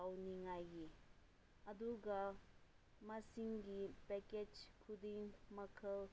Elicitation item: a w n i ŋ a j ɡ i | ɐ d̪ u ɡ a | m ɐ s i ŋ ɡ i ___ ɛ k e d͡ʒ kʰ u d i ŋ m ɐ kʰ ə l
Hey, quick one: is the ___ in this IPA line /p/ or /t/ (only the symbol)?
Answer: p